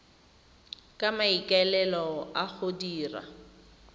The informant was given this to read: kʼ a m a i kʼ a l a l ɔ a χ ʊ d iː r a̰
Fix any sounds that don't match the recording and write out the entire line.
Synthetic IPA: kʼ a m a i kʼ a l ɛ l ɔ a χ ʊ d iː r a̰